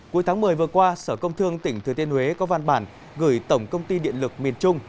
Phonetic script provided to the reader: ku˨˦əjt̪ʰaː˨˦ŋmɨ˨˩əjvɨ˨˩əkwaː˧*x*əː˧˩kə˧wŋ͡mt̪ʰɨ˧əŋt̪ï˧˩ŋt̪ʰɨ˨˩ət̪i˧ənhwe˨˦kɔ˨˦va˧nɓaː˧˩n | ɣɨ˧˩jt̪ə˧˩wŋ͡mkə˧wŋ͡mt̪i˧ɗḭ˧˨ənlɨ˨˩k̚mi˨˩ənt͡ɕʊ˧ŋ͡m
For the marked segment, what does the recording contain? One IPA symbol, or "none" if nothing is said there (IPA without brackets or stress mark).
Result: s